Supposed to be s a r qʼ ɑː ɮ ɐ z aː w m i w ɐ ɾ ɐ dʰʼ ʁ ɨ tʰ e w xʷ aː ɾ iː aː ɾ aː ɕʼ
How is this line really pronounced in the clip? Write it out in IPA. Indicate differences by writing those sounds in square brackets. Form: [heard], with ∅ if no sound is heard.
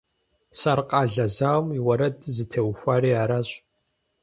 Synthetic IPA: s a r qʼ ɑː ɮ ɐ z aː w m i w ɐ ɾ ɐ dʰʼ [z] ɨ tʰ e w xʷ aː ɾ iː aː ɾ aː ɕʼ